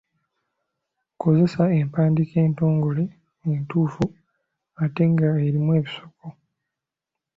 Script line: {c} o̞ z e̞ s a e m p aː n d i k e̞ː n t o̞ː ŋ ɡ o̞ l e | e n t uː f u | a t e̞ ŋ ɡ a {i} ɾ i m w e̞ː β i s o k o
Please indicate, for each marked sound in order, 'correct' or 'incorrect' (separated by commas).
incorrect, incorrect